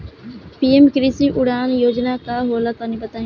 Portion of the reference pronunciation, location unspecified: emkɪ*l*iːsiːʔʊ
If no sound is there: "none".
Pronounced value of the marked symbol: ɾ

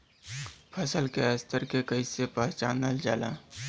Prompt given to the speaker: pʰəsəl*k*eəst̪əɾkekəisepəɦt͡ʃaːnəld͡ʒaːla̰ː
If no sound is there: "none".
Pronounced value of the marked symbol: k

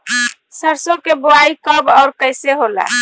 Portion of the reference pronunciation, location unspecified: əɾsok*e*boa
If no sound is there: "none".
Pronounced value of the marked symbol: e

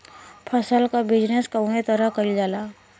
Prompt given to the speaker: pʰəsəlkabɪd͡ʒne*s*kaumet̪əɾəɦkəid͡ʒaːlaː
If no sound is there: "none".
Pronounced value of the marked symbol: s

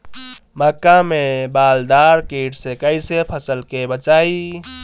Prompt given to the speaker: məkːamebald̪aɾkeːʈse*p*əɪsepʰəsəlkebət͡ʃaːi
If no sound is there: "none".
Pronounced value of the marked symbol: k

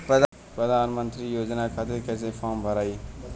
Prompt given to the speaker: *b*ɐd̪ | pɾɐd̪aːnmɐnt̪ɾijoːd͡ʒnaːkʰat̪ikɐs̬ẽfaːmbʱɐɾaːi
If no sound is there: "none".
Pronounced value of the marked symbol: p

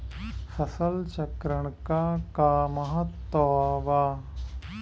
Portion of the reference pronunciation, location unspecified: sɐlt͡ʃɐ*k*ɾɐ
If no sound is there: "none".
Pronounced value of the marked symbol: k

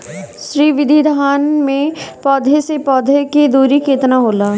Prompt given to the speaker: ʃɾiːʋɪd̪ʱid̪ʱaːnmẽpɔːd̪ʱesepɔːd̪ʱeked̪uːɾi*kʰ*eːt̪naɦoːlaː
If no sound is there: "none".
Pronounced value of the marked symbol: k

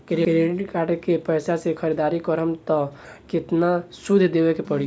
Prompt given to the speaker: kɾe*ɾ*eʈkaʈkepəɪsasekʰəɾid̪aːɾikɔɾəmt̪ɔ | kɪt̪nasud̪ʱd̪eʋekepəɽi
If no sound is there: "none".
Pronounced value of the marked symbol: ɾ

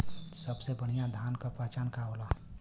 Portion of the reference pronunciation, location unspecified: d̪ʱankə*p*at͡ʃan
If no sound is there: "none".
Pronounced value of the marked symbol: p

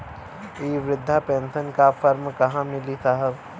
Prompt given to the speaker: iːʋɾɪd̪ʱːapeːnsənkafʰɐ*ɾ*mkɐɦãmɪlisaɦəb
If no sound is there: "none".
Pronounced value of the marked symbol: ɾ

